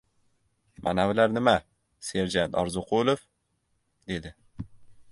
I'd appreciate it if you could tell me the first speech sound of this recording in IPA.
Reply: m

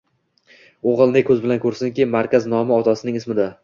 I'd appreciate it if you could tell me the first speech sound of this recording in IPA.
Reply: o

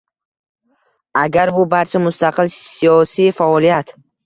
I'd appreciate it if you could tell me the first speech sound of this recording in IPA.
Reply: a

